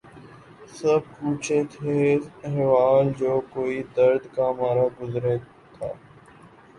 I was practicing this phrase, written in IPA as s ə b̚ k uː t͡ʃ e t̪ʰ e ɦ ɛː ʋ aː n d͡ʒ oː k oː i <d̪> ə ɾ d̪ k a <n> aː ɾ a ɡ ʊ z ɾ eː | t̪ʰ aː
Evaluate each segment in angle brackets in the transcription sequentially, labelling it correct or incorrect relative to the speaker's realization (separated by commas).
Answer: correct, incorrect